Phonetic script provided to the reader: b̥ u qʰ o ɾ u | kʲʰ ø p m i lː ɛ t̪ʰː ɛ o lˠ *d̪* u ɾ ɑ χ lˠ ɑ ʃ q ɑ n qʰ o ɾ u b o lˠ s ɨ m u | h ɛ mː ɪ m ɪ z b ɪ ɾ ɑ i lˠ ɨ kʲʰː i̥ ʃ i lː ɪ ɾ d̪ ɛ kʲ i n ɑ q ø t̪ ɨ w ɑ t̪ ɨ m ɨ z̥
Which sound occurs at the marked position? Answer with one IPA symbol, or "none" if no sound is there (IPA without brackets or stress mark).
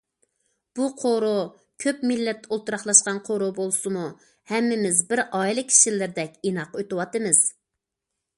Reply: t̪